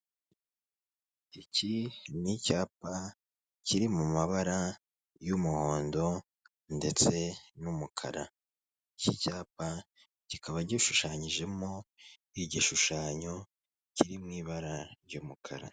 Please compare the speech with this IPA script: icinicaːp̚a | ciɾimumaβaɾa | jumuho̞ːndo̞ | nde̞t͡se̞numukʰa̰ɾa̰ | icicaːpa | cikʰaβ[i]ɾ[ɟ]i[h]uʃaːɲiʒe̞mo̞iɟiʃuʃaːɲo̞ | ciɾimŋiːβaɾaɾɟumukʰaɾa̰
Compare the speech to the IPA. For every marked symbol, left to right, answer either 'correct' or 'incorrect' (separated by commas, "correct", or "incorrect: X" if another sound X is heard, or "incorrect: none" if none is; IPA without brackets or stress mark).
incorrect: a, correct, incorrect: ʃ